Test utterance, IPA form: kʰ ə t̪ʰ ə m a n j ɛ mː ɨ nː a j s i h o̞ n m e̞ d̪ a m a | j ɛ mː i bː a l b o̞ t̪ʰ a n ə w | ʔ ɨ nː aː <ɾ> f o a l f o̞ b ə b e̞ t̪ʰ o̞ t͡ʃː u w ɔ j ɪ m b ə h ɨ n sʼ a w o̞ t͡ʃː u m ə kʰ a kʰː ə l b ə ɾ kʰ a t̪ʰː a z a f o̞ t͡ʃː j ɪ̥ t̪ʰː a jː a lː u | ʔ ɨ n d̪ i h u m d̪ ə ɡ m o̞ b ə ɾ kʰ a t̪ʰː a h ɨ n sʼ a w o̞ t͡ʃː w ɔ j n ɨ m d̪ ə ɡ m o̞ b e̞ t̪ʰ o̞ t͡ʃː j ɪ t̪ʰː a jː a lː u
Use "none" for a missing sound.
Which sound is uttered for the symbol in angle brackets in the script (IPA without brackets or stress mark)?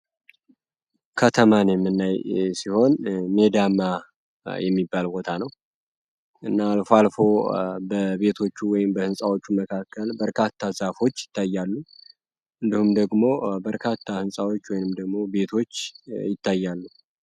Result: l